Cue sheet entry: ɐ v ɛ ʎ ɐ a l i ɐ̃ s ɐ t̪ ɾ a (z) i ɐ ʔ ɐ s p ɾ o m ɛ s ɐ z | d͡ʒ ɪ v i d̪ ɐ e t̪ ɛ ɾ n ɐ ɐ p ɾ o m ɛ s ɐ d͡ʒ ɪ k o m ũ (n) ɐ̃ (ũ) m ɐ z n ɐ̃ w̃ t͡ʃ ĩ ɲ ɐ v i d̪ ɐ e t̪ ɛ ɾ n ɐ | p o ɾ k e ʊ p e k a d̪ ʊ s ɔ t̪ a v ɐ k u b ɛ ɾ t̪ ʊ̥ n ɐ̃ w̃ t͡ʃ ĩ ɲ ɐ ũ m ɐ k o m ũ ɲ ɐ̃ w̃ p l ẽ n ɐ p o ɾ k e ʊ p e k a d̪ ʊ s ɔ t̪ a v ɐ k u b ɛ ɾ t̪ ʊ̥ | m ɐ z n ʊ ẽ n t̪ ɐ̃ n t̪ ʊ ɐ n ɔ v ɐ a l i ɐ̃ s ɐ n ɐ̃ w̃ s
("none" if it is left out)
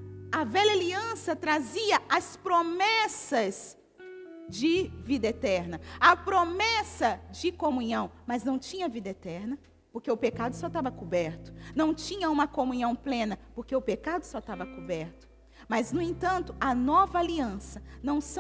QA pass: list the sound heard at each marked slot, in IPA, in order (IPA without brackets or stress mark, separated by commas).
z, ɲ, w̃